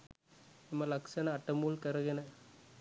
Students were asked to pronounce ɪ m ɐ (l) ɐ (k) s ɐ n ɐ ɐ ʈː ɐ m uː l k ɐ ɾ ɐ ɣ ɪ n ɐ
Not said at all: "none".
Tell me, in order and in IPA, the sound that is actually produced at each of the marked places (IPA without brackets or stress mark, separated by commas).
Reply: l, k